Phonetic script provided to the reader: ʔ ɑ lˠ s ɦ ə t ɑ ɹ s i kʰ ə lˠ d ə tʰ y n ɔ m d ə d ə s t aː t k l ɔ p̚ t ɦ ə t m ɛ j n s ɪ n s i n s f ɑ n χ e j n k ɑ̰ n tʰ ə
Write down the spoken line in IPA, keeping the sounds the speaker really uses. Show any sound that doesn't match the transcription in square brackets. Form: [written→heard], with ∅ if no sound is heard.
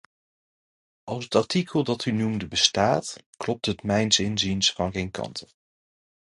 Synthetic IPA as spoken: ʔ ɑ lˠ s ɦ ə t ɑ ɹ [s→t] i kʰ ə lˠ d [ə→ɑ] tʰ y n [ɔ→u] m d ə [d→b] ə s t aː t k l ɔ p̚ t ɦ ə t m ɛ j n s ɪ n [s→z] i n s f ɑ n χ e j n k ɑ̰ n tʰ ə

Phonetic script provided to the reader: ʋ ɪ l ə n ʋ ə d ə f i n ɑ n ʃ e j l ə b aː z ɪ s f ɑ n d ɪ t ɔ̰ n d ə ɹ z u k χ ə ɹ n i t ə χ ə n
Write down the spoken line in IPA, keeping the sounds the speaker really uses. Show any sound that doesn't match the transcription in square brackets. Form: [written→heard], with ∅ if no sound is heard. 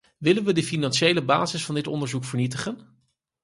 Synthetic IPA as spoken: ʋ ɪ l ə n ʋ ə d ə f i n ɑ n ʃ e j l ə b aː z ɪ s f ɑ n d ɪ t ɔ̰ n d ə ɹ z u k [χ→f] ə ɹ n i t ə χ ə n

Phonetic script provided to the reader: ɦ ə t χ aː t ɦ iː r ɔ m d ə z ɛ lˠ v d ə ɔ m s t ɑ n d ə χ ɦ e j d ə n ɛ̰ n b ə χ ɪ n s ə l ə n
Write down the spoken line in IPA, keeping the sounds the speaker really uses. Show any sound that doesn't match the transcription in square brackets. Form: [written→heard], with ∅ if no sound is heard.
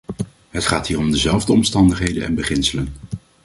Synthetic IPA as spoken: ɦ ə t χ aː t ɦ iː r ɔ m d ə z ɛ lˠ v d ə ɔ m s t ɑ n d ə χ ɦ e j d ə n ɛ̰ n b ə χ ɪ n s ə l ə n

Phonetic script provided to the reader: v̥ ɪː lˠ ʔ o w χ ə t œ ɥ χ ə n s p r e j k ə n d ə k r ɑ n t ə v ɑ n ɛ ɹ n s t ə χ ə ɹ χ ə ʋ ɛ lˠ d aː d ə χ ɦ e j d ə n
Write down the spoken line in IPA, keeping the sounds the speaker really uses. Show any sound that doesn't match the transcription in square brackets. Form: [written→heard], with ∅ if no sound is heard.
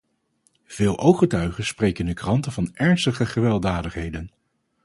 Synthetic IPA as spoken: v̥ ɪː lˠ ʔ o w χ ə t œ ɥ χ ə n s p r e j k ə n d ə k r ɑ n t ə v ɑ n ɛ ɹ n s t ə χ ə [ɹ→∅] χ ə ʋ ɛ lˠ d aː d ə χ ɦ e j d ə n

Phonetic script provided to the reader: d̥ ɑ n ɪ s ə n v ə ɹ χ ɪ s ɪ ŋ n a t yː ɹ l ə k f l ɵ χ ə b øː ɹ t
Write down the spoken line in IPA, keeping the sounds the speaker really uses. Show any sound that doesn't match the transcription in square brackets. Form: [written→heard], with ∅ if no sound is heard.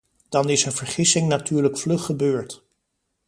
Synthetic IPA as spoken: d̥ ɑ n ɪ s ə n v ə ɹ χ ɪ s ɪ ŋ n a t yː ɹ l ə k f l ɵ χ ə b øː ɹ t

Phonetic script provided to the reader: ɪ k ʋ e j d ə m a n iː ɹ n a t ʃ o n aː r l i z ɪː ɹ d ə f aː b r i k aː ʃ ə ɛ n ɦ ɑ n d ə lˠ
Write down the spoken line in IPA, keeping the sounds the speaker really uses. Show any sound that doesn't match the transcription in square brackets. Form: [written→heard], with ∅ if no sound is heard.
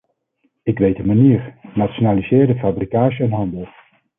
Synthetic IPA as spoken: ɪ k ʋ e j d ə m a n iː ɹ n a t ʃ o n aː [r→∅] l i z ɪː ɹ d ə f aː b r i k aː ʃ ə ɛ n ɦ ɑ n d ə lˠ

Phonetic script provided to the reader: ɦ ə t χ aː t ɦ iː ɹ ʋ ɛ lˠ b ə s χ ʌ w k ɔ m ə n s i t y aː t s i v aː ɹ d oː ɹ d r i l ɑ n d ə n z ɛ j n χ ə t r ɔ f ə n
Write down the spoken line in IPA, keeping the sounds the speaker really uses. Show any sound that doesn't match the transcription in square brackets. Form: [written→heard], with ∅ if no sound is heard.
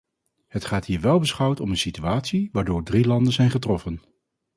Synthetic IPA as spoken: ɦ ə t χ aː t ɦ iː ɹ ʋ ɛ lˠ b ə s χ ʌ w [k→t] ɔ m ə n s i t y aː t s i [v→ʋ] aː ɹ d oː ɹ d r i l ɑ n d ə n z ɛ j n χ ə t r ɔ f ə n

